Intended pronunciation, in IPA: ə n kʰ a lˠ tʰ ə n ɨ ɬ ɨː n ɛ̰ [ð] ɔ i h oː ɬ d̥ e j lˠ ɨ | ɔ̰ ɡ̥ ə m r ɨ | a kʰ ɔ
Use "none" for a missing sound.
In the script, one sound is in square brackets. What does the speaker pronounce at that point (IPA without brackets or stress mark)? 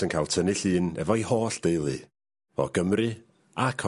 v